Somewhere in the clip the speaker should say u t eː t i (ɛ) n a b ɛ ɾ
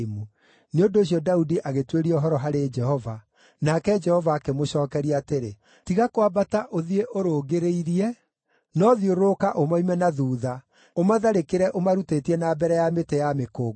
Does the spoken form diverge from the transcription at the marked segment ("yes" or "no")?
no